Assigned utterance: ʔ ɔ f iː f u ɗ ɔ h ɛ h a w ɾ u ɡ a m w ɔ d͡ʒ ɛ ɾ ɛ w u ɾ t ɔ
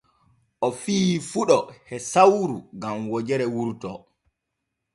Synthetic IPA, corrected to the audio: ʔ ɔ f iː f u ɗ ɔ h ɛ s a w ɾ u ɡ a m w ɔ d͡ʒ ɛ ɾ ɛ w u ɾ t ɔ